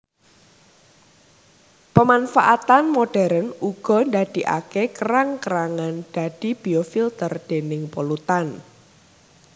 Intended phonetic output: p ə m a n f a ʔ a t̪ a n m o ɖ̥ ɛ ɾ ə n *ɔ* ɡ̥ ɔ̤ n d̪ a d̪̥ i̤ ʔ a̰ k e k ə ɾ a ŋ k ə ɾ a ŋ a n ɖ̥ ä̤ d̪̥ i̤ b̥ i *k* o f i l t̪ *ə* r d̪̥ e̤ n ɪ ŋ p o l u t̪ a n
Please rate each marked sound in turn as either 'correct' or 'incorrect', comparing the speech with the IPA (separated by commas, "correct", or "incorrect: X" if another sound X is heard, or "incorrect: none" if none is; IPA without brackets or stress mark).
incorrect: u, incorrect: none, correct